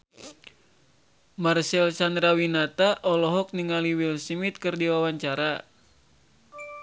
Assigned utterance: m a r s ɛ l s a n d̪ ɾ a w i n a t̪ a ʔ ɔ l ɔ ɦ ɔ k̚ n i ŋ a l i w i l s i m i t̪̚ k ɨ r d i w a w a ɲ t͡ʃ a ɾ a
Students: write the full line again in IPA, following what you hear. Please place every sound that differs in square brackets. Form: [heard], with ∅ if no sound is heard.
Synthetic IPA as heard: m a r s ɛ l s a n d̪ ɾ a w i n a t̪ a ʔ ɔ l ɔ ɦ ɔ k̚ n i ŋ a l i w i l s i m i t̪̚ k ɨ r d i w a w a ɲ t͡ʃ a ɾ a